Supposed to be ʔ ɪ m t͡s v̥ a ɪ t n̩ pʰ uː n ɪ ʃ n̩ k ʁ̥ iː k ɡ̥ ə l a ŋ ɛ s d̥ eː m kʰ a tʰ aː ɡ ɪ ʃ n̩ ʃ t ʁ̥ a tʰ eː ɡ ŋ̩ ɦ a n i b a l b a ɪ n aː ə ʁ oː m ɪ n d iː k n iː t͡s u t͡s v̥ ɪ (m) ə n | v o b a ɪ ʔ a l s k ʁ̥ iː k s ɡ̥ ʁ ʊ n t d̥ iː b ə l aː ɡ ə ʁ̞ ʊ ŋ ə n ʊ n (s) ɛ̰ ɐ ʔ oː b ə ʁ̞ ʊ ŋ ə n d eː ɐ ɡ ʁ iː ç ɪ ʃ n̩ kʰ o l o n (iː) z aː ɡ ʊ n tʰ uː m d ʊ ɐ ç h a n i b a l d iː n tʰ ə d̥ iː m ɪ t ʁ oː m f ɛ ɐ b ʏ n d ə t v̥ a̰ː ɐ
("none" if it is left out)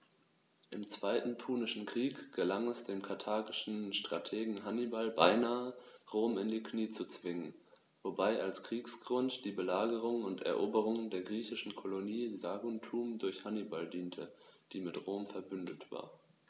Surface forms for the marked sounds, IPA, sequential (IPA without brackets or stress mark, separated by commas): ŋ, t, iː